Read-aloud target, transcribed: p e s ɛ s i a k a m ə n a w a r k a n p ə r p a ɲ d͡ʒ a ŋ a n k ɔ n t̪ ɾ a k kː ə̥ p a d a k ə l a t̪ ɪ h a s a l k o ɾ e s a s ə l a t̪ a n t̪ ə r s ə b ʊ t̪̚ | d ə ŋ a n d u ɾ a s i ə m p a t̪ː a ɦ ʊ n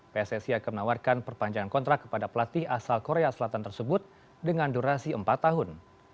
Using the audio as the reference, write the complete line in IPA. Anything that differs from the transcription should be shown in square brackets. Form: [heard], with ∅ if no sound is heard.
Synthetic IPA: p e s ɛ s i a k a m ə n a w a r k a n p ə r p a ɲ d͡ʒ a ŋ a n k ɔ n t̪ ɾ a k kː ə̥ p a d a [p] ə l a t̪ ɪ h a s a l k o ɾ e [∅] a s ə l a t̪ a n t̪ ə r s ə b ʊ t̪̚ | d ə ŋ a n d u ɾ a s i ə m p a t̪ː a ɦ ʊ n